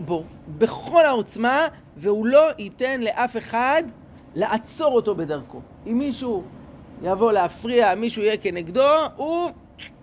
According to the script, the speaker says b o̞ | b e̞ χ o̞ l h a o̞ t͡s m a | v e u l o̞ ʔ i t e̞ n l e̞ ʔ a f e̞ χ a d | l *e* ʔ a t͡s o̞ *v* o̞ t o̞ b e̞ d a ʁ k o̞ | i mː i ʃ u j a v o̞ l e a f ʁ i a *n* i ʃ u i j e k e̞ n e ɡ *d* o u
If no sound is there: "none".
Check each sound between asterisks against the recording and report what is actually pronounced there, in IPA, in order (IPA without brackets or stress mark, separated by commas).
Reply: e, ʁ, m, d